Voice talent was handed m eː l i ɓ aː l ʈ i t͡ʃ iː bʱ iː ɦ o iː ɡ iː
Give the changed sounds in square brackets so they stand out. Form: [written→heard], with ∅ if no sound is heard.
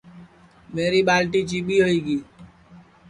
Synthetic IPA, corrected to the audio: m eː [l→ɾ] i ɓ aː l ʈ i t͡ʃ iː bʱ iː ɦ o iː ɡ iː